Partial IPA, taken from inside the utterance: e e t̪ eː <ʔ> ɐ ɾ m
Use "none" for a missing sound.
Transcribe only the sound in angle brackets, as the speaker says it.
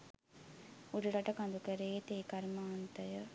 k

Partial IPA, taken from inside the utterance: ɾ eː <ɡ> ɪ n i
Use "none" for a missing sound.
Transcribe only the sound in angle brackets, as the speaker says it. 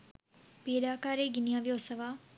ɡ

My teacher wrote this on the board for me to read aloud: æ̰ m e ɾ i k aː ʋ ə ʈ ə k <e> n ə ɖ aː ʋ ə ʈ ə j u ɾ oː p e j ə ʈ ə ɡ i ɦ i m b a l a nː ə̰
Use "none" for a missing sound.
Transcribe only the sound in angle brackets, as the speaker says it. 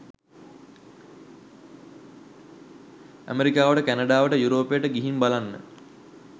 æ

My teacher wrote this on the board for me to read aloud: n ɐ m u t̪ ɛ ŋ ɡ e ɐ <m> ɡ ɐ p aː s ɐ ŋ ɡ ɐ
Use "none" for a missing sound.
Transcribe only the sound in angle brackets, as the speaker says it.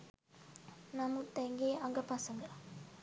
ŋ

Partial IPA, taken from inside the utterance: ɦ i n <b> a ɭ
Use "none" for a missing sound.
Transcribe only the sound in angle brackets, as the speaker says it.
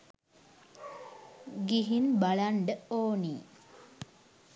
b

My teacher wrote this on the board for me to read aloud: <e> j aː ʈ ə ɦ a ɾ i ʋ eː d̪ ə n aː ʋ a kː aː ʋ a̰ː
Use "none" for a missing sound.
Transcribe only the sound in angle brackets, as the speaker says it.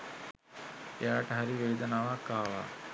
e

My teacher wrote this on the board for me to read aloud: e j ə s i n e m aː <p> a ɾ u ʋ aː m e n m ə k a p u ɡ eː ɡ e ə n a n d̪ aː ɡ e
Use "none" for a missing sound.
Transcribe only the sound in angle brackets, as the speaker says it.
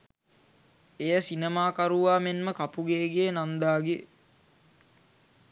k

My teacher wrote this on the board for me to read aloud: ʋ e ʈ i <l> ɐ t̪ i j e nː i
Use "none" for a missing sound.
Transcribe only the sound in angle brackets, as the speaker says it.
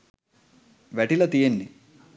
l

